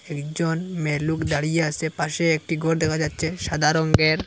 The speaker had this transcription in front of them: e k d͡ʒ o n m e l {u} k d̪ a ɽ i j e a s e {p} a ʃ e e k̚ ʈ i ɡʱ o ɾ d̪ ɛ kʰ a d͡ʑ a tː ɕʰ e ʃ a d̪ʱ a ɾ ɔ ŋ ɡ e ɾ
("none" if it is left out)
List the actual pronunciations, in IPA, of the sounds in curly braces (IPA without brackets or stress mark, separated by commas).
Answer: u, p